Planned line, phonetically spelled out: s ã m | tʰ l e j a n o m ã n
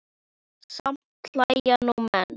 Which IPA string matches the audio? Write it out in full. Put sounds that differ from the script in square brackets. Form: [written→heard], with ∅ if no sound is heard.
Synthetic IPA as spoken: s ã m | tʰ l [e→a] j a n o m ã n